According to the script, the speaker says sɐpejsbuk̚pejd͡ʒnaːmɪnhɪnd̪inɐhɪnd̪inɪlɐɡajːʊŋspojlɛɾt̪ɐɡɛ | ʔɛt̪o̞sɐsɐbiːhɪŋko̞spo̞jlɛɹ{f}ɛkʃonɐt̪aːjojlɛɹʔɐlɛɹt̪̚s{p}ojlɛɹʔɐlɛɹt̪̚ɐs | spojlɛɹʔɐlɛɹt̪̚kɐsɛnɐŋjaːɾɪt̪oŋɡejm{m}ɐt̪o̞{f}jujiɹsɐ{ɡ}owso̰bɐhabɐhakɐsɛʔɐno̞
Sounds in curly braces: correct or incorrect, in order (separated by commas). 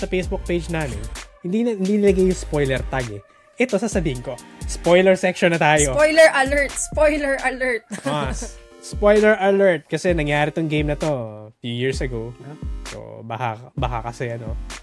incorrect, correct, incorrect, correct, correct